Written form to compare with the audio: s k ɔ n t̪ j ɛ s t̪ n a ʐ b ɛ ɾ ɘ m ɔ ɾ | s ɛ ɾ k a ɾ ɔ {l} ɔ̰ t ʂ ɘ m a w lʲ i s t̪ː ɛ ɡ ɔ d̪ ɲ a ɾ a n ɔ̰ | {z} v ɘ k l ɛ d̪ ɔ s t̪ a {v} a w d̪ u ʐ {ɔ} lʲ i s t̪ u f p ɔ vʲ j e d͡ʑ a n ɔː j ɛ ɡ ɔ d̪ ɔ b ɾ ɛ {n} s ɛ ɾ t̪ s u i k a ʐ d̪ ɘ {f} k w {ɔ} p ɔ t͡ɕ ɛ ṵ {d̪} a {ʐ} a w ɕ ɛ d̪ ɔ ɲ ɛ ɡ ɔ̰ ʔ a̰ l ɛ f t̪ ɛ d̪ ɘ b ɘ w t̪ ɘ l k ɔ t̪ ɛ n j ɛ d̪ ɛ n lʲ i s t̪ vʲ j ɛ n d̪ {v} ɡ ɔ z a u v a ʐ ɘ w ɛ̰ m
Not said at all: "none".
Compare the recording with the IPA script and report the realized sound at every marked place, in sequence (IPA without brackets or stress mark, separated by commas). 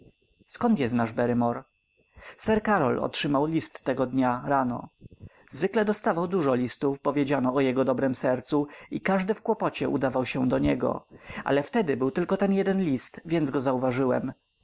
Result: l, z, v, ɔ, m, f, ɔ, d̪, v, z